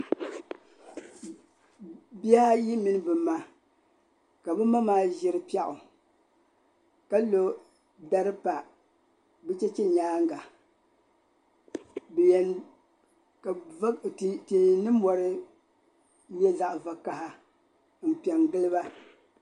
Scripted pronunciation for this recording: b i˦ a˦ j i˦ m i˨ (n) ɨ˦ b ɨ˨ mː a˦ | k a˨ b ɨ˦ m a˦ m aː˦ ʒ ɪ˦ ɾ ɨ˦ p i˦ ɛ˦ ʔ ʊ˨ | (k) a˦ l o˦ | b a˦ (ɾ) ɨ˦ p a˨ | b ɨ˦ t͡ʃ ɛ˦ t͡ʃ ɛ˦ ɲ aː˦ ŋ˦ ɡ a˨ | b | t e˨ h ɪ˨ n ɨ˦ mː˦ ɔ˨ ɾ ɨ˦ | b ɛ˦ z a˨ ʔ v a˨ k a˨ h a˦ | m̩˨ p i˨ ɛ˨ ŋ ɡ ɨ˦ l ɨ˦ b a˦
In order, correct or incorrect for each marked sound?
correct, correct, correct

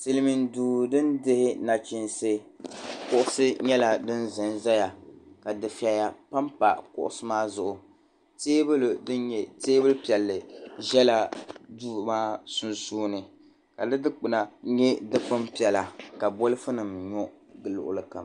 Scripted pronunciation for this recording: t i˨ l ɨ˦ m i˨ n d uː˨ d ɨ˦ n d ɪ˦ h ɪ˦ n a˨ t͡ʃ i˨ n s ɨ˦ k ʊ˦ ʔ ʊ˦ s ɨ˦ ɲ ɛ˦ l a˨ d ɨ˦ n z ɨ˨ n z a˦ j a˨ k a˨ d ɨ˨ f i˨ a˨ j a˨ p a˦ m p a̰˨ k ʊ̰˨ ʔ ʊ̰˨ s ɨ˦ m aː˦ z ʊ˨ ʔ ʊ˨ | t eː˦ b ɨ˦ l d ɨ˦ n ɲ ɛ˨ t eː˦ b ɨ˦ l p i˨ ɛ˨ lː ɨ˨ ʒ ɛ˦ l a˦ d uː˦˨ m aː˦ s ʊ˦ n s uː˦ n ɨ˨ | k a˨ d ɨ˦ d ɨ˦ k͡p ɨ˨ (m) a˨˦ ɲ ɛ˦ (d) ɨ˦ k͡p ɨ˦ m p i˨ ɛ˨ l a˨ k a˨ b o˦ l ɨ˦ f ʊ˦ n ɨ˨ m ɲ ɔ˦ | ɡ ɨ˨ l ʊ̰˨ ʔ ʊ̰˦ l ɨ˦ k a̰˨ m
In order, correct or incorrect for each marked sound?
incorrect: n, correct

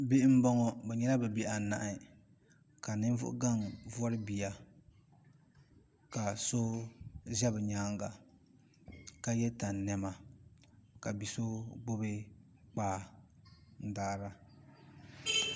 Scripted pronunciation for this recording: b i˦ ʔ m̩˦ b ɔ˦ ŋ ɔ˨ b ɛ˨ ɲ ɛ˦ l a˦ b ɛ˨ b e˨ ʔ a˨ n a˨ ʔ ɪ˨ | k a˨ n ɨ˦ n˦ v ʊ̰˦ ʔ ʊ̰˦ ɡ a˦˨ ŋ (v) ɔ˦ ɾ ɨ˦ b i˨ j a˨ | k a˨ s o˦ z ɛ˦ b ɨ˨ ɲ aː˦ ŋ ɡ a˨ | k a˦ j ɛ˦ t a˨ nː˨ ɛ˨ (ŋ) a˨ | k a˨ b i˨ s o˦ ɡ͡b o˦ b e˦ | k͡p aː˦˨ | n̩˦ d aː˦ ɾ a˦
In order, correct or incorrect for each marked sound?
correct, incorrect: m

